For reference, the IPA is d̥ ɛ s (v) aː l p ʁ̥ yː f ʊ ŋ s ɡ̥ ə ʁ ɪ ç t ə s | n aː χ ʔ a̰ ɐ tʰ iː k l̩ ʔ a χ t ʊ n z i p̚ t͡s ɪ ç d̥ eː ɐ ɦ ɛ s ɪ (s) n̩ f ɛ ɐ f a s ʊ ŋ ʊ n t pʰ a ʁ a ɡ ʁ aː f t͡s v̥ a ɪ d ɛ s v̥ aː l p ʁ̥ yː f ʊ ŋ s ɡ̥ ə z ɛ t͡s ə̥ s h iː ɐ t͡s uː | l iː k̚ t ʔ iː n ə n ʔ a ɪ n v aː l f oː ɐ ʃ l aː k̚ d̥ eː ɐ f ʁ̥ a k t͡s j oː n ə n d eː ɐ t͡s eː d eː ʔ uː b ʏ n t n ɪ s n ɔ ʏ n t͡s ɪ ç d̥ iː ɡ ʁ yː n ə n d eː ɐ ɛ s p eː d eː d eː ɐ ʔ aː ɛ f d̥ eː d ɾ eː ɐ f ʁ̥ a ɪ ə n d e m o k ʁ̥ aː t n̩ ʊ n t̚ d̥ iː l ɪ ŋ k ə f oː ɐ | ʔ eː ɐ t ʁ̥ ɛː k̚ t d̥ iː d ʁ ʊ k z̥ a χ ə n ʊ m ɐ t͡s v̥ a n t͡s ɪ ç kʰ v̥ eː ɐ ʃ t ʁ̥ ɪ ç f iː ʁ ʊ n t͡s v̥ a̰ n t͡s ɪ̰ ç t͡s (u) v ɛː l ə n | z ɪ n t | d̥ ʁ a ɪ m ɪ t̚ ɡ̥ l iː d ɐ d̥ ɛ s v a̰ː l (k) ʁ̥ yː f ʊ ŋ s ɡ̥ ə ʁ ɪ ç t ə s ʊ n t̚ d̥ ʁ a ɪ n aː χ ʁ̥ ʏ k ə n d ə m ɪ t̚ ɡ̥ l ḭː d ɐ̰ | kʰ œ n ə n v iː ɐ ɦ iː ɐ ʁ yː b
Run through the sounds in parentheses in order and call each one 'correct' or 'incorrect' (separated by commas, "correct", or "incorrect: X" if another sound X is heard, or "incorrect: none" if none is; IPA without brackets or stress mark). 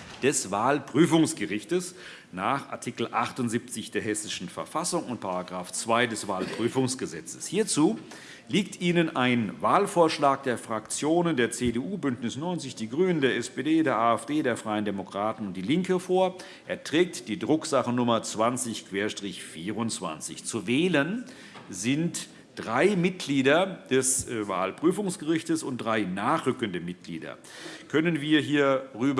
correct, incorrect: ʃ, correct, incorrect: p